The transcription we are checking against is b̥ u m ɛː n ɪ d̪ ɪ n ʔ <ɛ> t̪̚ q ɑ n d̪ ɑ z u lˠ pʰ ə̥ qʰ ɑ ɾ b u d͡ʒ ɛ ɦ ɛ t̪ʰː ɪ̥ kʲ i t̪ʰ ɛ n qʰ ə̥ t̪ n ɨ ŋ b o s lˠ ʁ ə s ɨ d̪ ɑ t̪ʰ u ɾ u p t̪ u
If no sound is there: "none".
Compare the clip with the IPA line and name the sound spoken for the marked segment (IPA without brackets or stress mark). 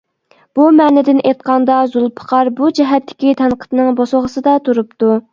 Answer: e